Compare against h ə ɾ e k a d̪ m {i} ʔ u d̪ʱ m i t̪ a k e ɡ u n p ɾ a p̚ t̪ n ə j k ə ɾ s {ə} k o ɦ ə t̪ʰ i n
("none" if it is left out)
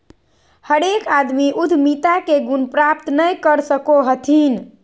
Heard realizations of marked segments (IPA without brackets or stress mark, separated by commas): i, ə